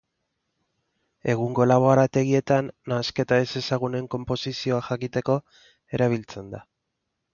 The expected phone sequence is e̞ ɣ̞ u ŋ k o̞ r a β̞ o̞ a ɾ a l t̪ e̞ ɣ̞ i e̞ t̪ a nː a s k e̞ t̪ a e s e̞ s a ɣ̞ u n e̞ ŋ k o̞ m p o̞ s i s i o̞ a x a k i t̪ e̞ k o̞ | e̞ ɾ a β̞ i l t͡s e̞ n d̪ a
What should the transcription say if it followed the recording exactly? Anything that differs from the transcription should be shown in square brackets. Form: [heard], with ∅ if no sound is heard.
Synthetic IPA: e̞ ɣ̞ u ŋ [ɡ] o̞ [l] a β̞ o̞ a ɾ a [∅] t̪ e̞ ɣ̞ i e̞ t̪ a nː a s k e̞ t̪ a e s e̞ s a ɣ̞ u n e̞ ŋ k o̞ m p o̞ s i s i o̞ a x a k i t̪ e̞ k o̞ | e̞ ɾ a β̞ i l t͡s e̞ n d̪ a